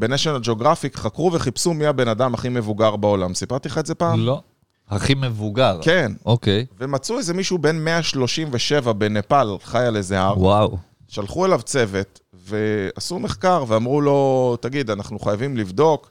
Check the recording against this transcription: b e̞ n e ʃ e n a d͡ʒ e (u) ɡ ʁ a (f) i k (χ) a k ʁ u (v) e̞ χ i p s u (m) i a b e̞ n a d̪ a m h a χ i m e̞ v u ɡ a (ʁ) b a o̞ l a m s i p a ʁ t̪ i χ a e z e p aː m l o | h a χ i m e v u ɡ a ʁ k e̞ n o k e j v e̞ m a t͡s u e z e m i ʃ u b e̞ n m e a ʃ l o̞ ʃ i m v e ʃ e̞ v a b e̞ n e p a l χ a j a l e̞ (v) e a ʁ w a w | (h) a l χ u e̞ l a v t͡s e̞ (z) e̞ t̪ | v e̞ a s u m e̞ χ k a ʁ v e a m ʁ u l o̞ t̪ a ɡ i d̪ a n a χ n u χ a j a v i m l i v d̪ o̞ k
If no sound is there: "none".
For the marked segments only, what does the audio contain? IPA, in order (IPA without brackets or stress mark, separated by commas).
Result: o, f, χ, v, m, ʁ, z, ʃ, v